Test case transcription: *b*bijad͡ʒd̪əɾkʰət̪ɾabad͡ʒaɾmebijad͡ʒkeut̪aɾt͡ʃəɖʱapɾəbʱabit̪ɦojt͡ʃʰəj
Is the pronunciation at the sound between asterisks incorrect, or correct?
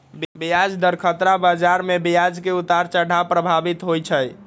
correct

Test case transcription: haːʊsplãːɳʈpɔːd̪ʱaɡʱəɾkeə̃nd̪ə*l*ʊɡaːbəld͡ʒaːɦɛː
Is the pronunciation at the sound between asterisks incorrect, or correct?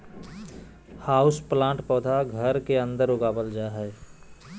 incorrect: ɾ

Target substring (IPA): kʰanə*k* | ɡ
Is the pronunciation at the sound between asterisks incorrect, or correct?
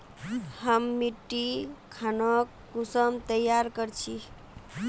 correct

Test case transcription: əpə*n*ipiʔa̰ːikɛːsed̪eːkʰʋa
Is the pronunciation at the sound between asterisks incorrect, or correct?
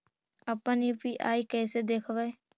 correct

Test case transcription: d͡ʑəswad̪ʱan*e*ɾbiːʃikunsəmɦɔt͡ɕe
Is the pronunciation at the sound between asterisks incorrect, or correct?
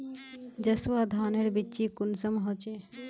correct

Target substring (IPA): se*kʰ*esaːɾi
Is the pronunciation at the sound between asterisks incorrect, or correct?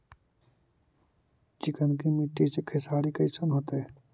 correct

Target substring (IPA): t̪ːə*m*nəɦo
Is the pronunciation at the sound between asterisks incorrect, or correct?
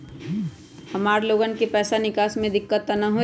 incorrect: none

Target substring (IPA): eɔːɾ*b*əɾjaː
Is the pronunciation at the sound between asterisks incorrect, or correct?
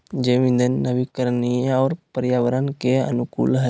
incorrect: p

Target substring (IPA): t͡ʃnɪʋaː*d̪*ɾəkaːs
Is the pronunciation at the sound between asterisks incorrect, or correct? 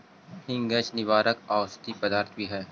incorrect: none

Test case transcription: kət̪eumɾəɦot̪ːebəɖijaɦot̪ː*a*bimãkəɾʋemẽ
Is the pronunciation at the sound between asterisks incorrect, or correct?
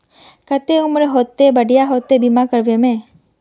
incorrect: e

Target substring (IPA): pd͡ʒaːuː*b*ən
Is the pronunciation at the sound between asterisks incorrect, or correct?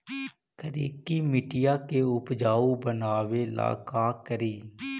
correct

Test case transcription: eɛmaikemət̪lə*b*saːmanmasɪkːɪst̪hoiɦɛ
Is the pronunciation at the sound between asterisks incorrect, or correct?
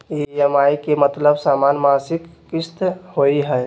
correct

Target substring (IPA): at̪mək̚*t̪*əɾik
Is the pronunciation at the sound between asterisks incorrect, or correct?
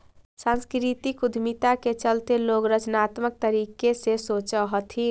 correct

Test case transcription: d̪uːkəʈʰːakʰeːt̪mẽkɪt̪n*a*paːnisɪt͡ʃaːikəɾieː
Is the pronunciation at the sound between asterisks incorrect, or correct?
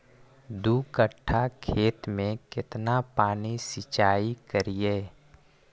correct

